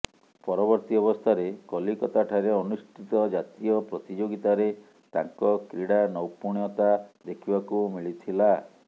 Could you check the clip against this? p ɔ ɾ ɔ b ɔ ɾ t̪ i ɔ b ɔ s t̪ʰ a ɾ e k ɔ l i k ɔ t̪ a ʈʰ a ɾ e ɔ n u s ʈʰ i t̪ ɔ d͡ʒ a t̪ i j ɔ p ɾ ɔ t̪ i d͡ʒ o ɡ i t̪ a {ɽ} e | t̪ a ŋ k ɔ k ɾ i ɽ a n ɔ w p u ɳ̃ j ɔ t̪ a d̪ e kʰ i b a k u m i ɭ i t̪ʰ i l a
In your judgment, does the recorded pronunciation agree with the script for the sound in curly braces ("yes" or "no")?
no